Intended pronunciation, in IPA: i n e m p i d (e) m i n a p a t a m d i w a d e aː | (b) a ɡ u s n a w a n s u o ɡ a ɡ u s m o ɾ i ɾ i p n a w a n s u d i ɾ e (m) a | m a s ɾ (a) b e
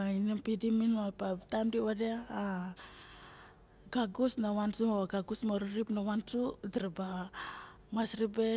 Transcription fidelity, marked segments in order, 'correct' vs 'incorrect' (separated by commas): incorrect, incorrect, incorrect, incorrect